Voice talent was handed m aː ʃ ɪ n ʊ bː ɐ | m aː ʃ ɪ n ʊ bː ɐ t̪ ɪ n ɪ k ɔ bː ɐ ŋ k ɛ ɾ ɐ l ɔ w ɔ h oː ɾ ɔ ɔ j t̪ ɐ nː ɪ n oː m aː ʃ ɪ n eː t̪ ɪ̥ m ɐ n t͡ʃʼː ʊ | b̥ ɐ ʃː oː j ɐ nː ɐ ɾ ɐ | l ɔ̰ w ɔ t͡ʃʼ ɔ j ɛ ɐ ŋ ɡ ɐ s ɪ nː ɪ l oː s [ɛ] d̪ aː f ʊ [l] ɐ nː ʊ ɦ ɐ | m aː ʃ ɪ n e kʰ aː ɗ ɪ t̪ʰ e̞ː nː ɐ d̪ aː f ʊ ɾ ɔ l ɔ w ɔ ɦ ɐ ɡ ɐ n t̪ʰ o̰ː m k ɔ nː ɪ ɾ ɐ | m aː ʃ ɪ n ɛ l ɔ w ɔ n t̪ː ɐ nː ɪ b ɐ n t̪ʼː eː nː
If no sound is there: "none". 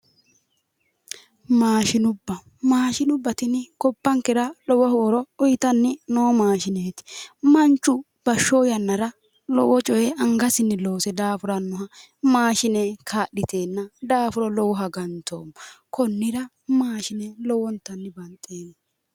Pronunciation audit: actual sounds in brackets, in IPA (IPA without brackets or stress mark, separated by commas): ɛ, ɾ